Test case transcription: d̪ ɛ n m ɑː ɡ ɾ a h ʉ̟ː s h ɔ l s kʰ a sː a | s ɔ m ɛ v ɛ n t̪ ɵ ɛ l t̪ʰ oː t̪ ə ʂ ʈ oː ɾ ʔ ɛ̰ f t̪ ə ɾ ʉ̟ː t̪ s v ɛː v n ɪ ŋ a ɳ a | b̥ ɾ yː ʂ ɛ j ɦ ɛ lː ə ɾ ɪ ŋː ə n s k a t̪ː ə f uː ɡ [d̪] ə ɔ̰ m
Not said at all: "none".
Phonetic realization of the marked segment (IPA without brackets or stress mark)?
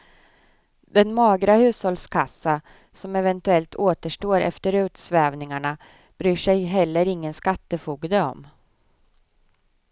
d̪